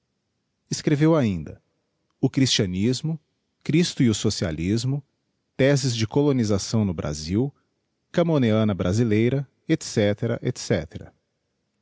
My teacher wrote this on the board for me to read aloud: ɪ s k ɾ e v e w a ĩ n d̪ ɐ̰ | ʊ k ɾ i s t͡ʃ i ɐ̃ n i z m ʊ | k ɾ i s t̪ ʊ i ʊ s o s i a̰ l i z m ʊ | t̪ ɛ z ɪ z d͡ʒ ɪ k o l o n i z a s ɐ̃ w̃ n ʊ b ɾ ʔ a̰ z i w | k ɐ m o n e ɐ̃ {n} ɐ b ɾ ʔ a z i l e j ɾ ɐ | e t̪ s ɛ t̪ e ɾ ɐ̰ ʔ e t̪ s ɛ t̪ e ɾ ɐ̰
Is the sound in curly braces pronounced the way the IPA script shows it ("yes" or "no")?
yes